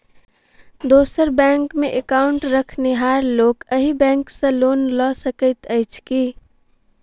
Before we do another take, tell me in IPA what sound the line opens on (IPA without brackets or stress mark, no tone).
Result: d̪